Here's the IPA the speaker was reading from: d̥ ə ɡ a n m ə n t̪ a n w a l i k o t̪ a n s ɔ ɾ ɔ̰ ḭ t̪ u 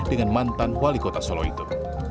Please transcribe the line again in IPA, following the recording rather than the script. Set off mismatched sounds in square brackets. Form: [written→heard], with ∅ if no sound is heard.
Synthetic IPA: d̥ ə [ɡ→ŋ] a n m [ə→a] n t̪ a n w a l i k o t̪ a [n→∅] s ɔ [ɾ→l] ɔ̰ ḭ t̪ u